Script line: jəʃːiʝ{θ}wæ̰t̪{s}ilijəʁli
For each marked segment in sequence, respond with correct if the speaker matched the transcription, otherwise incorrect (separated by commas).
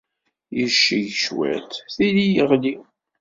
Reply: incorrect, incorrect